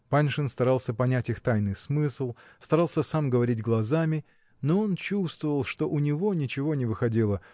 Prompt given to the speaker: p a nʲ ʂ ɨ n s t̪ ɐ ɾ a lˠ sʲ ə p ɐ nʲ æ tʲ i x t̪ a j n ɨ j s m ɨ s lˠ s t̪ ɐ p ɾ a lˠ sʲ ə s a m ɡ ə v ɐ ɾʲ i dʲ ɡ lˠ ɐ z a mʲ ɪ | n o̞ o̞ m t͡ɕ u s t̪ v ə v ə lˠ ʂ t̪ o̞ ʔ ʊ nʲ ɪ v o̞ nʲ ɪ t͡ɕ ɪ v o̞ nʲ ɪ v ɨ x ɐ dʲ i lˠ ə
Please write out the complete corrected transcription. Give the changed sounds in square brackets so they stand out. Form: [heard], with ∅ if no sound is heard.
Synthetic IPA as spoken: p a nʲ ʂ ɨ n s t̪ ɐ ɾ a lˠ sʲ ə p ɐ nʲ æ tʲ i x t̪ a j n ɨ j s m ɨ s lˠ s t̪ ɐ [∅] ɾ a lˠ sʲ ə s a m ɡ ə v ɐ ɾʲ i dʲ ɡ lˠ ɐ z a mʲ ɪ | n o̞ o̞ [n] t͡ɕ u s t̪ v ə v ə lˠ ʂ t̪ o̞ ʔ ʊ nʲ ɪ v o̞ nʲ ɪ t͡ɕ ɪ v o̞ nʲ ɪ v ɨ x ɐ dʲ i lˠ ə

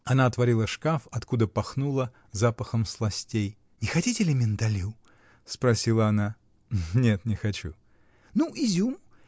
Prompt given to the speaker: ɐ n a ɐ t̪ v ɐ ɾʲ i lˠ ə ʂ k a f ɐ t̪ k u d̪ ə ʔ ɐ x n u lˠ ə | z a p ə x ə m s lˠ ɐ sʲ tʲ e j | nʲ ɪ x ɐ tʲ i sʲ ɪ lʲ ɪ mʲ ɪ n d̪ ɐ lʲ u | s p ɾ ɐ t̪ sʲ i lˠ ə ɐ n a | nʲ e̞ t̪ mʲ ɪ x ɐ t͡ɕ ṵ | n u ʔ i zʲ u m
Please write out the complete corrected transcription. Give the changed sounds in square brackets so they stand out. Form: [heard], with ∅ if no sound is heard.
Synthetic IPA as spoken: ɐ n a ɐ t̪ v ɐ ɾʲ i lˠ ə ʂ k a f ɐ t̪ k u d̪ ə [p] ɐ x n u lˠ ə | z a p ə x ə m s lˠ ɐ sʲ tʲ e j | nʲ ɪ x ɐ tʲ i [tʲ] ɪ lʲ ɪ mʲ ɪ n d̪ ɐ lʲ u | s p ɾ ɐ [∅] sʲ i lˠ ə ɐ n a | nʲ e̞ t̪ [nʲ] ɪ x ɐ t͡ɕ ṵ | n u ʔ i zʲ u m

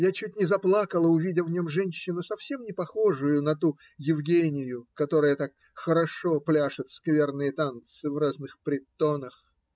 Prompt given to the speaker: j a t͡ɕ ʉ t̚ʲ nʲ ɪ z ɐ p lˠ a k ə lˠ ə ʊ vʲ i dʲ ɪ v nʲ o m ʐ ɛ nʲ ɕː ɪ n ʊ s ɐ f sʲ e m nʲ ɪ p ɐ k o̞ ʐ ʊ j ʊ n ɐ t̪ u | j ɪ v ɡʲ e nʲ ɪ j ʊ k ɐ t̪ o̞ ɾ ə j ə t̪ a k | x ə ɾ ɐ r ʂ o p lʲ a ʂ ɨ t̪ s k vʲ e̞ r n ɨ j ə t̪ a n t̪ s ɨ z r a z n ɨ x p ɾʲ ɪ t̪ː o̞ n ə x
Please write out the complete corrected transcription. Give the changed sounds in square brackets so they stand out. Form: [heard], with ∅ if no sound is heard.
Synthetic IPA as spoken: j a t͡ɕ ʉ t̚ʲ nʲ ɪ z ɐ p lˠ a k ə lˠ ə ʊ vʲ i dʲ ɪ v nʲ o m ʐ ɛ nʲ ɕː ɪ n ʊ s ɐ f sʲ e m nʲ ɪ p ɐ [x] o̞ ʐ ʊ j ʊ n ɐ t̪ u | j ɪ v ɡʲ e nʲ ɪ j ʊ k ɐ t̪ o̞ ɾ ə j ə t̪ a k | x ə ɾ ɐ [∅] ʂ o p lʲ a ʂ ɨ t̪ s k vʲ e̞ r n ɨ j ə t̪ a n t̪ s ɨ [v] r a z n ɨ x p ɾʲ ɪ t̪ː o̞ n ə x

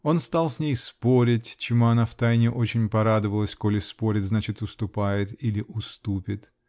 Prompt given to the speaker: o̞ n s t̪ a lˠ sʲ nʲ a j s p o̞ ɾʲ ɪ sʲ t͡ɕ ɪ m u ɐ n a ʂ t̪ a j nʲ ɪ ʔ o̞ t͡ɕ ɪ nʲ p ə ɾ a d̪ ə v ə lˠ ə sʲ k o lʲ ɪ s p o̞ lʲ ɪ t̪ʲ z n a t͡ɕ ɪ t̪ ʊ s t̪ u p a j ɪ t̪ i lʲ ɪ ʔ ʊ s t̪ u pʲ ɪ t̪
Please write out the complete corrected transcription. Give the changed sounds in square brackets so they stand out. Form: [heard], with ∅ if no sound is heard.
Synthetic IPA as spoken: o̞ n s t̪ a lˠ sʲ nʲ [e] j s p o̞ ɾʲ ɪ [tʲ] t͡ɕ ɪ m u ɐ n a [f] t̪ a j nʲ ɪ ʔ o̞ t͡ɕ ɪ nʲ p [ɐ] ɾ a d̪ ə v ə lˠ ə sʲ k o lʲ ɪ s p o̞ [ɾʲ] ɪ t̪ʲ z n a t͡ɕ ɪ t̪ ʊ s t̪ [ʊ] p a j ɪ t̪ i lʲ ɪ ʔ ʊ s t̪ u pʲ ɪ t̪

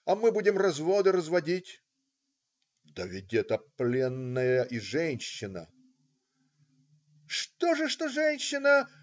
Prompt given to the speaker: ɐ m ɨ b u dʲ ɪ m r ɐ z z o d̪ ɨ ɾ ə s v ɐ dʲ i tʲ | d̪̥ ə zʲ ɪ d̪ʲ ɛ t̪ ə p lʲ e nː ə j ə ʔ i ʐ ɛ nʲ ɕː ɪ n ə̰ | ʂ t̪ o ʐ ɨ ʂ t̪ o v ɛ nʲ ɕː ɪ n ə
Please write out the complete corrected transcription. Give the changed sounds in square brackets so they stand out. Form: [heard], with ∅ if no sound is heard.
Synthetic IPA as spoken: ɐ m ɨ b u dʲ ɪ m r ɐ z [v] o d̪ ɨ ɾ ə [z] v ɐ dʲ i tʲ | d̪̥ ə [vʲ] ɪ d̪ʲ ɛ t̪ ə p lʲ e nː ə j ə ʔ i ʐ ɛ nʲ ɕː ɪ n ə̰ | ʂ t̪ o ʐ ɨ ʂ t̪ o [ʐ] ɛ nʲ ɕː ɪ n ə

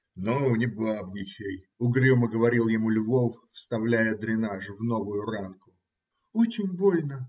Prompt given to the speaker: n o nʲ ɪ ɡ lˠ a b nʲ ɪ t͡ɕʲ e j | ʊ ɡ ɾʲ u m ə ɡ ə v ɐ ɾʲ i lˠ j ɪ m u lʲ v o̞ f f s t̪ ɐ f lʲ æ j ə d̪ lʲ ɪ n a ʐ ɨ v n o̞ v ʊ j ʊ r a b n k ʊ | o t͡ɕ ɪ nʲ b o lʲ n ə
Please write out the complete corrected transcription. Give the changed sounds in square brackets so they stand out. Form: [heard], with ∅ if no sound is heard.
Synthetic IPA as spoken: n o nʲ ɪ [b] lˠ a b nʲ ɪ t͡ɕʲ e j | ʊ ɡ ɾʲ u m ə ɡ ə v ɐ ɾʲ i lˠ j ɪ m u lʲ v o̞ f f s t̪ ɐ [v] lʲ æ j ə d̪ [ɾʲ] ɪ n a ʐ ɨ v n o̞ v ʊ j ʊ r a [∅] n k ʊ | o t͡ɕ ɪ nʲ b o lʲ n ə

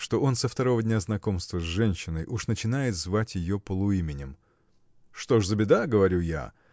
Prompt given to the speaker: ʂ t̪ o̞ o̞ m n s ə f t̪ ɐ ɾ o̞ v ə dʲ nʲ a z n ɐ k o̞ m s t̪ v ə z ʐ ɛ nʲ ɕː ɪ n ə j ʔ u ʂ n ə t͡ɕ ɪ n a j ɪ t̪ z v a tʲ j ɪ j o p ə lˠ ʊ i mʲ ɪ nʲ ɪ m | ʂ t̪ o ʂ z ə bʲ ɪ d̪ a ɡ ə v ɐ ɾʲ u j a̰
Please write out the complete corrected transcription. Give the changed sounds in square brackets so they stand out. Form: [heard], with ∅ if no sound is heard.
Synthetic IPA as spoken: ʂ t̪ o̞ o̞ [∅] n s ə f t̪ ɐ ɾ o̞ v ə dʲ nʲ a z n ɐ k o̞ m s t̪ v ə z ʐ ɛ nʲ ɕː ɪ n ə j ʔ u ʂ n ə t͡ɕ ɪ n a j ɪ t̪ z v a tʲ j ɪ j o p ə lˠ ʊ i mʲ ɪ nʲ ɪ m | ʂ t̪ o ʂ z ə bʲ ɪ d̪ a ɡ ə v ɐ ɾʲ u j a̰

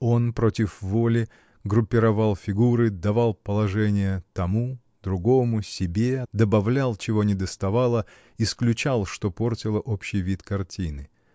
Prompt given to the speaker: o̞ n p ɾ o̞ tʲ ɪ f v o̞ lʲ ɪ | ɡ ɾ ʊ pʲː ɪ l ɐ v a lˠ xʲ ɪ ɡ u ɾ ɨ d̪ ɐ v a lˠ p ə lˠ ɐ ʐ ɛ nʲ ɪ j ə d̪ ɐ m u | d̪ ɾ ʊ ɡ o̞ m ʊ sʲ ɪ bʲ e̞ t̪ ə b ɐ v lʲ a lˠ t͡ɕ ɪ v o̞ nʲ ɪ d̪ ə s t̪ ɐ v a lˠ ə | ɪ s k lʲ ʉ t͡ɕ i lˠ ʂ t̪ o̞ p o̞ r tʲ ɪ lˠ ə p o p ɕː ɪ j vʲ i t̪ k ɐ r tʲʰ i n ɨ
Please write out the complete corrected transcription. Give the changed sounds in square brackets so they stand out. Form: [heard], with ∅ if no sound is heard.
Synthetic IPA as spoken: o̞ n p ɾ o̞ tʲ ɪ f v o̞ lʲ ɪ | ɡ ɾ ʊ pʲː ɪ [ɾ] ɐ v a lˠ [fʲ] ɪ ɡ u ɾ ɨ d̪ ɐ v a lˠ p ə lˠ ɐ ʐ ɛ nʲ ɪ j ə [t̪] ɐ m u | d̪ ɾ ʊ ɡ o̞ m ʊ sʲ ɪ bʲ e̞ [d̪] ə b ɐ v lʲ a lˠ t͡ɕ ɪ v o̞ nʲ ɪ d̪ ə s t̪ ɐ v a lˠ ə | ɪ s k lʲ ʉ t͡ɕ [a] lˠ ʂ t̪ o̞ p o̞ r tʲ ɪ lˠ ə [ʔ] o p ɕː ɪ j vʲ i t̪ k ɐ r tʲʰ i n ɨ

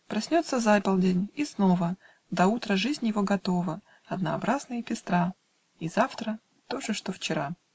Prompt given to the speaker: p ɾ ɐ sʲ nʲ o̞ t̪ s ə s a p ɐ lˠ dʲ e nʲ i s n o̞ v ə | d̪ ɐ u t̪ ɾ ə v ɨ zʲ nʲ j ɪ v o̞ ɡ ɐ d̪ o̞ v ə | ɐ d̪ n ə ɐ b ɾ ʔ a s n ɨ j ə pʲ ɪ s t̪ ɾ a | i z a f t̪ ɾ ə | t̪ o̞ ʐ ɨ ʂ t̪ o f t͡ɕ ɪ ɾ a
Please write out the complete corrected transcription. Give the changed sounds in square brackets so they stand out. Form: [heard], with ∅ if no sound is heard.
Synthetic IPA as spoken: p ɾ ɐ sʲ nʲ o̞ t̪ s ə [z] a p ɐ lˠ dʲ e nʲ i s n o̞ v ə | d̪ ɐ u t̪ ɾ ə [ʐ] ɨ zʲ nʲ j ɪ v o̞ ɡ ɐ [t̪] o̞ v ə | ɐ d̪ n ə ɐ b ɾ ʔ a [z] n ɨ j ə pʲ ɪ s t̪ ɾ a | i z a f t̪ ɾ ə | t̪ o̞ ʐ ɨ ʂ t̪ o f t͡ɕ ɪ ɾ a

